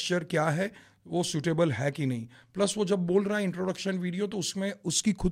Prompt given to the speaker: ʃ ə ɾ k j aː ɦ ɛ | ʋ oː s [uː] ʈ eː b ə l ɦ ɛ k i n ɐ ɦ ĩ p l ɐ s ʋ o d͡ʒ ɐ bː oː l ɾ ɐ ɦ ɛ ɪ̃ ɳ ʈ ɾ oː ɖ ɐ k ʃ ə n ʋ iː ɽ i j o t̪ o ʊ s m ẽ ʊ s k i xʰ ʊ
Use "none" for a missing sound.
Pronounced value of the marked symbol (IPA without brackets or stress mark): uː